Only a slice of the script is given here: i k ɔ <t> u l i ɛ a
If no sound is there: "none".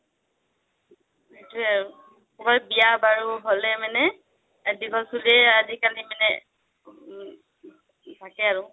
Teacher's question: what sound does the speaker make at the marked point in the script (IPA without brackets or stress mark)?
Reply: s